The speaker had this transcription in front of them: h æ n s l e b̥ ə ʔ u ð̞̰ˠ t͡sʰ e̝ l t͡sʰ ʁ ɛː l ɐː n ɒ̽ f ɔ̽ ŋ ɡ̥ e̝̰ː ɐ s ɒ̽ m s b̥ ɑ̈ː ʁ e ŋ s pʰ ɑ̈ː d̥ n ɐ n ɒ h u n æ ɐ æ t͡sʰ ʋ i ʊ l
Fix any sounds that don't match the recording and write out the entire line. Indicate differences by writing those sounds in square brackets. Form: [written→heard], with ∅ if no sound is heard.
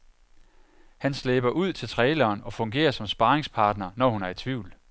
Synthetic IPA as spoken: h æ n s l e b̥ [ə→ɐ] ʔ u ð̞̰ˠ t͡sʰ e̝ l t͡sʰ ʁ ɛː l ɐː n ɒ̽ f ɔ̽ ŋ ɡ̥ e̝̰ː ɐ s ɒ̽ m s b̥ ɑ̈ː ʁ e ŋ s pʰ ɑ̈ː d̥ n ɐ n ɒ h u n æ ɐ [æ→i] t͡sʰ ʋ i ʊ l